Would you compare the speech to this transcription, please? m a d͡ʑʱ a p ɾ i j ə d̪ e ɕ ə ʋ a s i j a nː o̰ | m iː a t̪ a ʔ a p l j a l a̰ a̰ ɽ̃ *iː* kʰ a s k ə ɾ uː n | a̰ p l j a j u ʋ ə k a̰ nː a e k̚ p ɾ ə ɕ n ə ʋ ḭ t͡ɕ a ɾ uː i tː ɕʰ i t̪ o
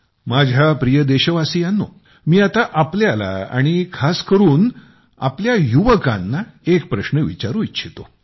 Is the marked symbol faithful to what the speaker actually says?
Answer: no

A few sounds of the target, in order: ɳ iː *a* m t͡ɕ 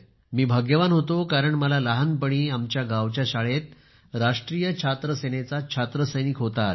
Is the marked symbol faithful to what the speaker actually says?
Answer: yes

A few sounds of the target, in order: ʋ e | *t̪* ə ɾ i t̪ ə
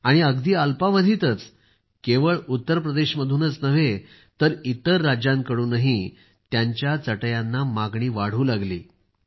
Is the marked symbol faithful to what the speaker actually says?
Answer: yes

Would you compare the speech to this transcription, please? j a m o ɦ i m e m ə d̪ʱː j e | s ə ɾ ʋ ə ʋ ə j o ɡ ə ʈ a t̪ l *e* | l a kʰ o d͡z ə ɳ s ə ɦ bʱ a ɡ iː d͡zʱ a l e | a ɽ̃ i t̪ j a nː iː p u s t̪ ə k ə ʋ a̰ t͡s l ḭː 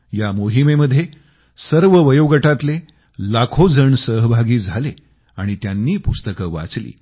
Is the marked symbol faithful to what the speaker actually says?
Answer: yes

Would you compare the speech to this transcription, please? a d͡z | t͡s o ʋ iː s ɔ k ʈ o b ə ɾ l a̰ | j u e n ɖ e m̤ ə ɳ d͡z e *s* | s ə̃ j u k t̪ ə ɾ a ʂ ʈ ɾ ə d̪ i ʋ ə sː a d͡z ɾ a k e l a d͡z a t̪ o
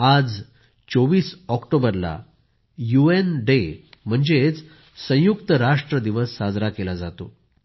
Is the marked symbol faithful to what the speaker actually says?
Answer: no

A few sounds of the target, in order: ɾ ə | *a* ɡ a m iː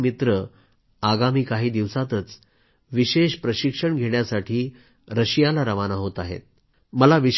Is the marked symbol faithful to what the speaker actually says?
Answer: yes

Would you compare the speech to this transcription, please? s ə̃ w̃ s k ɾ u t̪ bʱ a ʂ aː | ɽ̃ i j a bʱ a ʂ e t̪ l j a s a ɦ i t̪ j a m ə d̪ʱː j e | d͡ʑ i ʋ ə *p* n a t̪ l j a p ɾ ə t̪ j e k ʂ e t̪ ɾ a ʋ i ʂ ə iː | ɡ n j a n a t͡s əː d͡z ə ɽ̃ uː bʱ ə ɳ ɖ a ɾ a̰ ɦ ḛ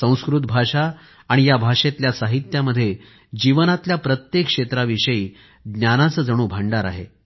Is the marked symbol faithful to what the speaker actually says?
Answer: no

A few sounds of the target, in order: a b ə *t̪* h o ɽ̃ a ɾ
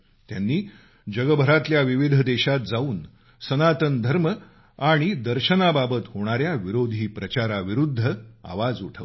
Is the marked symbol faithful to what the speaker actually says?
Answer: yes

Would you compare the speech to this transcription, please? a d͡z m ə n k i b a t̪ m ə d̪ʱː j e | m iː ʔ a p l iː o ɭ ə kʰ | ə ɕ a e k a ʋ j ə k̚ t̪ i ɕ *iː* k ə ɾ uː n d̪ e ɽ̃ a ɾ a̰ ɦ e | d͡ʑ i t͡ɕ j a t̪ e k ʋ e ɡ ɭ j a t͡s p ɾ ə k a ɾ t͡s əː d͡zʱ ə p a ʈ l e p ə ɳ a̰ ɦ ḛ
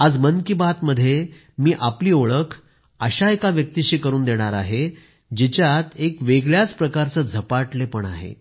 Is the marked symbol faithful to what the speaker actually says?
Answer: yes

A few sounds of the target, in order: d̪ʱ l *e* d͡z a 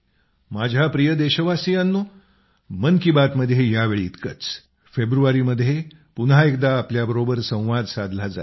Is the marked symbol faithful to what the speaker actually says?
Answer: no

